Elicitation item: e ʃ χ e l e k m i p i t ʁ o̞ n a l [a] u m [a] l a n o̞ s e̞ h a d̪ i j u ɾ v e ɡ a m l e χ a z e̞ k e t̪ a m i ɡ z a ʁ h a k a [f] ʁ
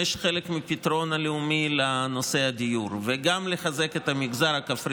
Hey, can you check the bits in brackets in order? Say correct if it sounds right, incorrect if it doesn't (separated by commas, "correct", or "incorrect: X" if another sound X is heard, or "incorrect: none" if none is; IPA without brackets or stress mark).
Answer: incorrect: e, incorrect: i, correct